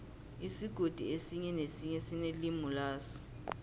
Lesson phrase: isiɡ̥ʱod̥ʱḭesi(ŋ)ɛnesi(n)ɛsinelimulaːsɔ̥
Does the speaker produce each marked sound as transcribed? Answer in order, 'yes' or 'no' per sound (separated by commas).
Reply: no, no